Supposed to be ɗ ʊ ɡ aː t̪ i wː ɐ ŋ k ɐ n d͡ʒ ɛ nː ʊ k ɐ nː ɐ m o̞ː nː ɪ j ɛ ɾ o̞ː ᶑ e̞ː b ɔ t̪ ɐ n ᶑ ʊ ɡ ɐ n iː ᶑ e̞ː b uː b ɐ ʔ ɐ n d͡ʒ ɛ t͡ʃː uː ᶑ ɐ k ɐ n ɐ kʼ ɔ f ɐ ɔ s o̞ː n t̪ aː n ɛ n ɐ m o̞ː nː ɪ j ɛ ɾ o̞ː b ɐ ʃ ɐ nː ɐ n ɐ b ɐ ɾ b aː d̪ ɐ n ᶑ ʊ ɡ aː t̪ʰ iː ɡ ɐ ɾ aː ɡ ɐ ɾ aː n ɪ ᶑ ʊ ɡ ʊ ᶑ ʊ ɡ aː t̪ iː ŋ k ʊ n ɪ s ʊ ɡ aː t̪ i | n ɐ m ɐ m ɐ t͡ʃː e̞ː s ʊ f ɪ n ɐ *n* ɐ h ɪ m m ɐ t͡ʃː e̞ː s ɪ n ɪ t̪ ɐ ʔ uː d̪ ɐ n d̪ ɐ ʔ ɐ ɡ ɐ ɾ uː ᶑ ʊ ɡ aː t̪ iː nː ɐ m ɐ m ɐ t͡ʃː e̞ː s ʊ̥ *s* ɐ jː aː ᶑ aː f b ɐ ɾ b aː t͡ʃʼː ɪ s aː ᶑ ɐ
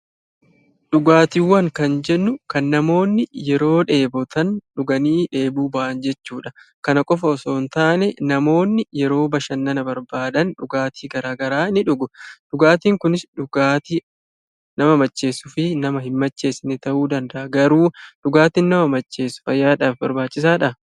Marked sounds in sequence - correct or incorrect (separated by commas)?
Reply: incorrect, incorrect